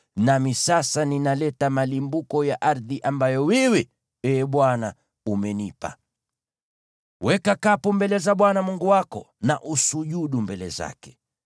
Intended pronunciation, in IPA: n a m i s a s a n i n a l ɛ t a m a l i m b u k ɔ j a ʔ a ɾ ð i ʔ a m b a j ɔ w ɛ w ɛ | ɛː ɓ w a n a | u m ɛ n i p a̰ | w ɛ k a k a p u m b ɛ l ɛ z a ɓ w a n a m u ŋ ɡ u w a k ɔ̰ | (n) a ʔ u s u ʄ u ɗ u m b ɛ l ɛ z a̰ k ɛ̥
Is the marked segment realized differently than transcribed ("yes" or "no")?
no